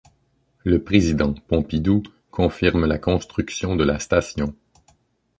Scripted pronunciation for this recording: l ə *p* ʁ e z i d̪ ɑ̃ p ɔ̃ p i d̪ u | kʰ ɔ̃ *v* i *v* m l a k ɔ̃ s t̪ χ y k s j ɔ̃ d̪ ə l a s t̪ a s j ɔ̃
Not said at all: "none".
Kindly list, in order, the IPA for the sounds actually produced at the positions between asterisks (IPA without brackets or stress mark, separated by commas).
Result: p, f, ʁ